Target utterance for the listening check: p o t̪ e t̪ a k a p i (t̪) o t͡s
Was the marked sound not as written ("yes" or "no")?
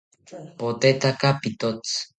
no